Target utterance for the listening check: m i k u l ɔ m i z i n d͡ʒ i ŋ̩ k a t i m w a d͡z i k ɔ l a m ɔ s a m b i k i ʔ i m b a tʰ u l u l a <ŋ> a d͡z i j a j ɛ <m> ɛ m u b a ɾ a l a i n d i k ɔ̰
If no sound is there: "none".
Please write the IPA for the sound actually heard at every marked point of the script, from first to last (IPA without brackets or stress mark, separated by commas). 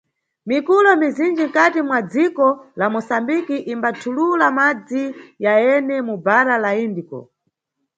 m, n